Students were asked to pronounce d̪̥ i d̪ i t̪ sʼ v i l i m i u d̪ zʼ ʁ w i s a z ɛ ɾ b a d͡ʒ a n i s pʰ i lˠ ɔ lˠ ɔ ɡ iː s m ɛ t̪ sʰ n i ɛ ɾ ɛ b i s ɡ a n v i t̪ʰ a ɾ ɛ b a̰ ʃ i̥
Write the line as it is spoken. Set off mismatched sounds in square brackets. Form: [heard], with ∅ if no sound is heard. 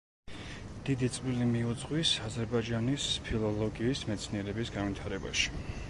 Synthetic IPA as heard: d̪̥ i d̪ i t̪ sʼ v i l i m i u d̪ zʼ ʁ w i s a z ɛ ɾ b a d͡ʒ a n i s pʰ i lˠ ɔ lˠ ɔ ɡ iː s m ɛ t̪ sʰ n i ɛ ɾ ɛ b i s ɡ a n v i t̪ʰ a ɾ ɛ b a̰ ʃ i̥